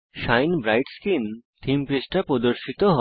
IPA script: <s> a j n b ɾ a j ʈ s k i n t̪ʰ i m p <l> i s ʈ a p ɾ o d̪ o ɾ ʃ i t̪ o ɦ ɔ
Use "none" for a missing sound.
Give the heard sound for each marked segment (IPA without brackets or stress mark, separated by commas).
ʃ, ɾ